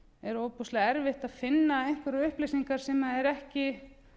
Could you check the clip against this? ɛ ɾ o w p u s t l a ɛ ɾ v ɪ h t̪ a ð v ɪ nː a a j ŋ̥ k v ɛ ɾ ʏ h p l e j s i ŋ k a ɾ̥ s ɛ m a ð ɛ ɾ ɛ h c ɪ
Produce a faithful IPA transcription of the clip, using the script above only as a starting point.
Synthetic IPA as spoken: ɛ ɾ o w p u s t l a ɛ ɾ v ɪ h t̪ a ð f ɪ nː a e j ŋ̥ k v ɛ ɾ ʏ h p l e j s i ŋ k a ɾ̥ s ɛ m a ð ɛ ɾ ɛ h c ɪ